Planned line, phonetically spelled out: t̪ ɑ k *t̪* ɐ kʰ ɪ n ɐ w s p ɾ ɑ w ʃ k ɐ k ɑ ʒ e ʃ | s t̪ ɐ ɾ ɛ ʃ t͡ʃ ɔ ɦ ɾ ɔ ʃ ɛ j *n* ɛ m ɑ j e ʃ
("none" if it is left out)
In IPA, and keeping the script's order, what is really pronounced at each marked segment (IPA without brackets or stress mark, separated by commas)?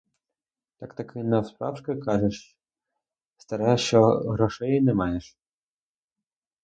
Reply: t̪, n